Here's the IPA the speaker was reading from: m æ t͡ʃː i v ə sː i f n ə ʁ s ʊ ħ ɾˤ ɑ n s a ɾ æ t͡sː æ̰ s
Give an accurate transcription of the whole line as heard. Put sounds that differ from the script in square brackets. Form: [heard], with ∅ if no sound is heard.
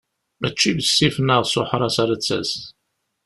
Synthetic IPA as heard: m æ t͡ʃː i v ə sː i f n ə ʁ s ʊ ħ ɾˤ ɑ [∅] s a ɾ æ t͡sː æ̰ s